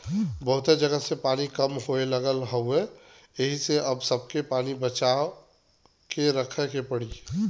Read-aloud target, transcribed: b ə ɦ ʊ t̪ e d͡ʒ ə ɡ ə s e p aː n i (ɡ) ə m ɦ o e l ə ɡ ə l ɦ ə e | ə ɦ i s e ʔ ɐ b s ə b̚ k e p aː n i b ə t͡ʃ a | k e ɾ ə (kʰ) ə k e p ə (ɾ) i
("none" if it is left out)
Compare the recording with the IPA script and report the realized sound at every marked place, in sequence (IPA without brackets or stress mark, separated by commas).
k, kʰ, ɽ